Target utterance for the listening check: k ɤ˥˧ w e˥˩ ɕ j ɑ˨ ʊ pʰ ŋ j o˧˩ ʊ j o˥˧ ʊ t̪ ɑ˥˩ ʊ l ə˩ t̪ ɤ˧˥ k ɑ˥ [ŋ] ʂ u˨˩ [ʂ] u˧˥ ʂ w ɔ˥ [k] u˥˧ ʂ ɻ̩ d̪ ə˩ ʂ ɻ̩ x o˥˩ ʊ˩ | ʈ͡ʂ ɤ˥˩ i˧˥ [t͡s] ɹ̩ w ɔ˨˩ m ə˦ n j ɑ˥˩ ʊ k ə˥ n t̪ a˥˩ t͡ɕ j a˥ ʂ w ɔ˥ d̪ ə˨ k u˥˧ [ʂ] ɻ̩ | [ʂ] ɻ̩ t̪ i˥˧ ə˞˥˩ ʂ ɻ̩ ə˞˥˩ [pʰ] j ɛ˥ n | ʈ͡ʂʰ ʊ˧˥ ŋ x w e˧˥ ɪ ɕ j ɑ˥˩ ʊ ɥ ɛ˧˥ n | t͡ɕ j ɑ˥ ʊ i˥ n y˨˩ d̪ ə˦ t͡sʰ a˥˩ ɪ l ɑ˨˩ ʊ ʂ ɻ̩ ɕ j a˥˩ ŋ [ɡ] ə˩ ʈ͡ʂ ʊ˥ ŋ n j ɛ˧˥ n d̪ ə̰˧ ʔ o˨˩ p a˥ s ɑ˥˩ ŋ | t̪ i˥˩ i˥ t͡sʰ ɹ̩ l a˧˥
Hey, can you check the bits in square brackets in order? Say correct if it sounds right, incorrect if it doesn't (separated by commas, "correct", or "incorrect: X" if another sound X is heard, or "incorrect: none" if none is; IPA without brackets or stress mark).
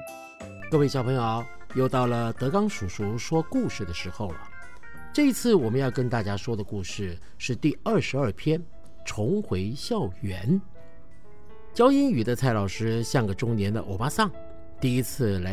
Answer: correct, correct, correct, incorrect: t͡sʰ, correct, correct, correct, correct